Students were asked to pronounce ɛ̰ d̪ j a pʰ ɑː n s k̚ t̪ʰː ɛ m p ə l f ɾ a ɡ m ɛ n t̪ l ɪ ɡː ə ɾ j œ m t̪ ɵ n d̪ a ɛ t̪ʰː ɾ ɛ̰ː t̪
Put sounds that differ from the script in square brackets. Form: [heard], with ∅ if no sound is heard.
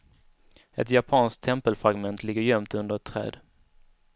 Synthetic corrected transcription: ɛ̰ [t̪] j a pʰ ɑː n s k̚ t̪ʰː ɛ m p ə l f ɾ a ɡ m ɛ n t̪ l ɪ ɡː ə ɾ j œ m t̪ ɵ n d̪ [ə] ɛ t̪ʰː ɾ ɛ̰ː [d̪]